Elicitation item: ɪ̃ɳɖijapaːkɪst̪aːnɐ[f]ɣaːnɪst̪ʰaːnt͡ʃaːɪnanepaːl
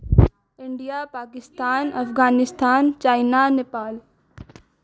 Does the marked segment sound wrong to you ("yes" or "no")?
no